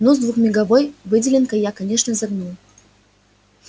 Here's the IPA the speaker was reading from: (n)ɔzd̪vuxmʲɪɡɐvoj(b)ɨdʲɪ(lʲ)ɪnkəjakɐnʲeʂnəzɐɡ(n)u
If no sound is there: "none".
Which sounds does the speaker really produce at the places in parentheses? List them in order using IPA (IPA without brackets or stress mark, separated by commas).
n, v, lʲ, n